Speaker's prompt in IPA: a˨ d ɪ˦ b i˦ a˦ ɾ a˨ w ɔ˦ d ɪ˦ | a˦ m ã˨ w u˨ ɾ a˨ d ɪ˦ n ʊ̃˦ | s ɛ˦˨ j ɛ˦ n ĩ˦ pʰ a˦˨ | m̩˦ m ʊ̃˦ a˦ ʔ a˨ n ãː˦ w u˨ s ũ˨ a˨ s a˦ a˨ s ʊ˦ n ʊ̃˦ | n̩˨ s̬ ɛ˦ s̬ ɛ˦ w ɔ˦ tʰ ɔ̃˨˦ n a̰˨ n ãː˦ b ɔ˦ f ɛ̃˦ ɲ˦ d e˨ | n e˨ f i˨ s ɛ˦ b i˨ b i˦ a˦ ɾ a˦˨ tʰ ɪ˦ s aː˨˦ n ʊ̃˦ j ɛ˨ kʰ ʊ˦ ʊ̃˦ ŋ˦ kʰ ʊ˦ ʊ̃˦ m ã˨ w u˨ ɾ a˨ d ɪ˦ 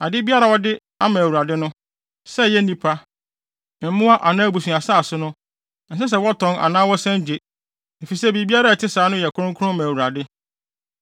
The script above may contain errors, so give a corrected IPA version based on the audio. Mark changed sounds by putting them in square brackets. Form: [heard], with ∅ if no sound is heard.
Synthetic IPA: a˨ d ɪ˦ b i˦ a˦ ɾ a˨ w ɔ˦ d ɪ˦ | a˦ m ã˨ w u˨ ɾ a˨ d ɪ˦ n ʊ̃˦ | s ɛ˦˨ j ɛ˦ n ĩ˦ pʰ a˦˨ | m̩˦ m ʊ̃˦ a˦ ʔ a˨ n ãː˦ [b] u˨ s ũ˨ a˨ s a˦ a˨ s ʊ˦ n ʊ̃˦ | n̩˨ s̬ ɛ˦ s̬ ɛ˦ w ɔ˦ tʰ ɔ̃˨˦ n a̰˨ n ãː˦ [w] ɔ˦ [s] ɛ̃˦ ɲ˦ [d͡ʑ] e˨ | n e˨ f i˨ s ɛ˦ b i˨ b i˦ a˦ ɾ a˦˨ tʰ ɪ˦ s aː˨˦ n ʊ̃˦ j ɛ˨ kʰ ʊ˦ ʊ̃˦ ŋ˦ kʰ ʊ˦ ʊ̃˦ m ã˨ w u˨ ɾ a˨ d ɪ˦